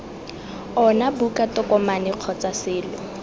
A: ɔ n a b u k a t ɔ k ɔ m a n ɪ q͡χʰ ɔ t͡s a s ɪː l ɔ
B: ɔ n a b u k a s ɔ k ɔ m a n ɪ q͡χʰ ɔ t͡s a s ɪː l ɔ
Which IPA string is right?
A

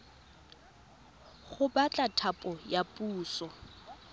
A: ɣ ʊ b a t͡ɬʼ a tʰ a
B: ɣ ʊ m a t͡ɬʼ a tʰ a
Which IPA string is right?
A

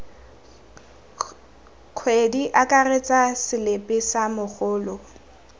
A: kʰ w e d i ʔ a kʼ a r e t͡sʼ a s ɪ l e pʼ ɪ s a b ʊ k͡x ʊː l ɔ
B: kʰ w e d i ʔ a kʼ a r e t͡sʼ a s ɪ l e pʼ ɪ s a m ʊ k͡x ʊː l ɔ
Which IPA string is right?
B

